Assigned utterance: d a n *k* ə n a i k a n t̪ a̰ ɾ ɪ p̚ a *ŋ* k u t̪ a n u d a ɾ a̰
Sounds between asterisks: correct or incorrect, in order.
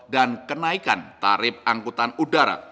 correct, correct

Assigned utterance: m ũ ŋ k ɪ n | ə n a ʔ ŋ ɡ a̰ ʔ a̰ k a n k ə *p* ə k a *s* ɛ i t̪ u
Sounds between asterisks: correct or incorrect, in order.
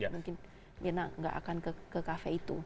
incorrect: k, incorrect: f

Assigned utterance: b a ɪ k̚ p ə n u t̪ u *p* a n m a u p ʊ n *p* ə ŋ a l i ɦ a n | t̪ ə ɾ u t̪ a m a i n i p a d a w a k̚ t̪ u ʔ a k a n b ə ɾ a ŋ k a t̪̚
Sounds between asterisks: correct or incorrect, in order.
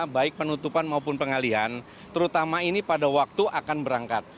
correct, correct

